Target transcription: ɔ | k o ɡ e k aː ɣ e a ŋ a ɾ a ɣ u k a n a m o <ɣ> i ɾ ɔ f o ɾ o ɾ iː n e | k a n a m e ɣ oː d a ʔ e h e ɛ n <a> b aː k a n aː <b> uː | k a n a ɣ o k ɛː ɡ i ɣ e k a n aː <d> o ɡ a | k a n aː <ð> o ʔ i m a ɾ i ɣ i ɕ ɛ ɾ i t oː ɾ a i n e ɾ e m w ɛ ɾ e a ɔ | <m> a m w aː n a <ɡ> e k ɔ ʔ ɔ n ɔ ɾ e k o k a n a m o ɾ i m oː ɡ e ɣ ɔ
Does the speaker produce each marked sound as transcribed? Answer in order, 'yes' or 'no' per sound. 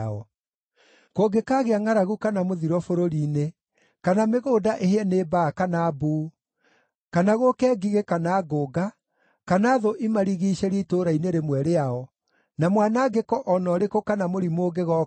no, no, yes, no, yes, no, yes

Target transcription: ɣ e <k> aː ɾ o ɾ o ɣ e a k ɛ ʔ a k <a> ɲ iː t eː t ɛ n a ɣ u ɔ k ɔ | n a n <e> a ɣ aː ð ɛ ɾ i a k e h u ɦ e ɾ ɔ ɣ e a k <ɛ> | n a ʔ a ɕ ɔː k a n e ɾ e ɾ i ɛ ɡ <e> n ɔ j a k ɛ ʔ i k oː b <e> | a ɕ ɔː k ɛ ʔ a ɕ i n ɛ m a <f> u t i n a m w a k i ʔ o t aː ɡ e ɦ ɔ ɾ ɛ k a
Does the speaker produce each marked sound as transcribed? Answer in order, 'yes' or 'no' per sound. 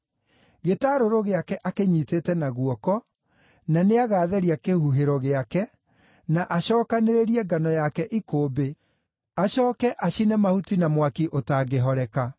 no, no, yes, yes, no, yes, no

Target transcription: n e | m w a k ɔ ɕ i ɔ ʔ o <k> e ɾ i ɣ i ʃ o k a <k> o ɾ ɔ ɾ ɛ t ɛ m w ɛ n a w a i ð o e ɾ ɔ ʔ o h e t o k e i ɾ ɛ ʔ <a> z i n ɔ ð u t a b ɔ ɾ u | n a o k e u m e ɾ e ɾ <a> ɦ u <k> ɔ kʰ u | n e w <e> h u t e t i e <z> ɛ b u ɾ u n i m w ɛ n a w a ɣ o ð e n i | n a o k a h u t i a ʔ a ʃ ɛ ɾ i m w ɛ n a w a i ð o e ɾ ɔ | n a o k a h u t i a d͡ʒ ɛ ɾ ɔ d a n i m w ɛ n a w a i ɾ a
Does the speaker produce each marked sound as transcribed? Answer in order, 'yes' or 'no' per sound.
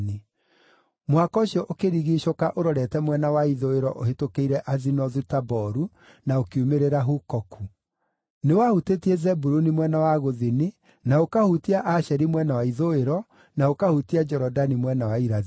yes, no, yes, yes, yes, no, yes

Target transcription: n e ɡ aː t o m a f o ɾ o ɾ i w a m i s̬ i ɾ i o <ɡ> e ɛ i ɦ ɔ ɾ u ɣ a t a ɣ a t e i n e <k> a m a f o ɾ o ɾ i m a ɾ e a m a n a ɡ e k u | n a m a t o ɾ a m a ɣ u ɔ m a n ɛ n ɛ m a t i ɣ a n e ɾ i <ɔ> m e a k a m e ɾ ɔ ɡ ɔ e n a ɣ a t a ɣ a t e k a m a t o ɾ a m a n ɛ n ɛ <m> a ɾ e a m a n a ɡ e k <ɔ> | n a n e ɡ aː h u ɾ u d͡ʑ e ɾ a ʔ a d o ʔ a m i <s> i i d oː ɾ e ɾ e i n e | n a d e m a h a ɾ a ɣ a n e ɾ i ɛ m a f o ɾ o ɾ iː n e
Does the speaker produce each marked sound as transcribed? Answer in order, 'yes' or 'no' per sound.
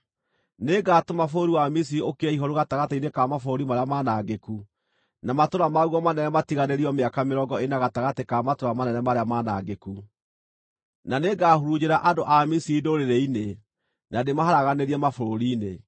no, yes, yes, yes, no, yes

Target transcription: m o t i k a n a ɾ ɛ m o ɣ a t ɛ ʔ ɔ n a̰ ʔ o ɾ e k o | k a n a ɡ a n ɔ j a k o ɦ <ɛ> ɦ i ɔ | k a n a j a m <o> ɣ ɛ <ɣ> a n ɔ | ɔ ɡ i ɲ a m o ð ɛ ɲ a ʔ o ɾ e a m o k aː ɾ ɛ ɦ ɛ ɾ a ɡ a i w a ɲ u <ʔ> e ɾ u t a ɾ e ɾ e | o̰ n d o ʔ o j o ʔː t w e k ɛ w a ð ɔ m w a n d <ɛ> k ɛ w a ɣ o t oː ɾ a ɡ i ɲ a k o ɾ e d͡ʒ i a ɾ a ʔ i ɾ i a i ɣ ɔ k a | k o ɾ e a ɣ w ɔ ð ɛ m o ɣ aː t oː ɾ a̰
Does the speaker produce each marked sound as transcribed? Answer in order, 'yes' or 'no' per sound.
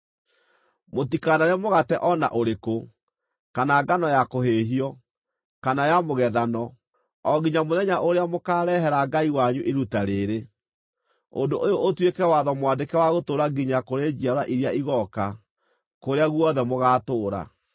no, yes, no, yes, no

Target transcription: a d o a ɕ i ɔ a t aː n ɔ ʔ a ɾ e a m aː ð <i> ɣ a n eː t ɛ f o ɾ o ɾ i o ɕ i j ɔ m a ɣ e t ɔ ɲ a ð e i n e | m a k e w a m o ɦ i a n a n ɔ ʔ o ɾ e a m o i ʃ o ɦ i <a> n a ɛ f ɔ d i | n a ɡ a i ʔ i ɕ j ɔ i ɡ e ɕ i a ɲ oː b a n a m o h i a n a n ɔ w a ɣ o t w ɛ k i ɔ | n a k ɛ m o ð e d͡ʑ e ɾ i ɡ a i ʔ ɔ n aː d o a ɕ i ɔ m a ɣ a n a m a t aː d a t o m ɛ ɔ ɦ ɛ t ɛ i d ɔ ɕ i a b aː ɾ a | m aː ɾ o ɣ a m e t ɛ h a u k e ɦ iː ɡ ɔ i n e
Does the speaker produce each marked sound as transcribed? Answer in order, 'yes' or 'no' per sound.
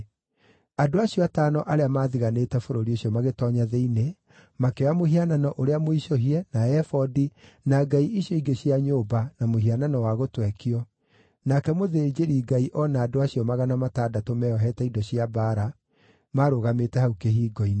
yes, no

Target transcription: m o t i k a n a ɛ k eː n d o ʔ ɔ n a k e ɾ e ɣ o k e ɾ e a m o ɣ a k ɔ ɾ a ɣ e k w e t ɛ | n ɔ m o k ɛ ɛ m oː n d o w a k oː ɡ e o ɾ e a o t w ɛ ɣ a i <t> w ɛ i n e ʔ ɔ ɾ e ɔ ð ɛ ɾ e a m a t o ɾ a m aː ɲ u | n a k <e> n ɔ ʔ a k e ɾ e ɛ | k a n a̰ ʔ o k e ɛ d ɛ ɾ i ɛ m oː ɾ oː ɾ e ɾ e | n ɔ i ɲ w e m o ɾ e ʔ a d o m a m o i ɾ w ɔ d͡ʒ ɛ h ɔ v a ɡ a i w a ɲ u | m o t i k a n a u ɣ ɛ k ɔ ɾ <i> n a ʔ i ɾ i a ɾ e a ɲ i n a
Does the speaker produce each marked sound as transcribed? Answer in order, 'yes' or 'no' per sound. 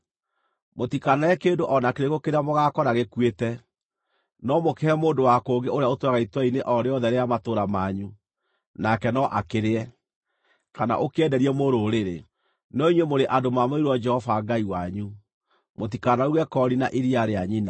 yes, no, yes

